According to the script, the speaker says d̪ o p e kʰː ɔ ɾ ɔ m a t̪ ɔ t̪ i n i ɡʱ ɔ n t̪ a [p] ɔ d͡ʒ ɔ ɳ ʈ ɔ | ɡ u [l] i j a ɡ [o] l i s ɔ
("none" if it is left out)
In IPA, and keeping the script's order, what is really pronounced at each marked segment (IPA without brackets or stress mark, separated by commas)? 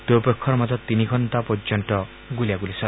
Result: p, l, u